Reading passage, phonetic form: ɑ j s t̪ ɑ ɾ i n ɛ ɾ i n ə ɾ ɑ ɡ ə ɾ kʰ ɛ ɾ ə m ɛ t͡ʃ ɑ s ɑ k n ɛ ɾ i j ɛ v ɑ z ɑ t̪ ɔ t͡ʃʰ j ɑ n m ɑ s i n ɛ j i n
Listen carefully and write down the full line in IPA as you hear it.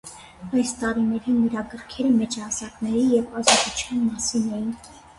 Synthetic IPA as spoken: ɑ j s t̪ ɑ ɾ i n ɛ ɾ i n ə ɾ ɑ ɡ ə ɾ kʰ ɛ ɾ ə m ɛ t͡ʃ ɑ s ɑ k n ɛ ɾ i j ɛ v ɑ z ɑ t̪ u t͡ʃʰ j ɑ n m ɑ s i n ɛ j i n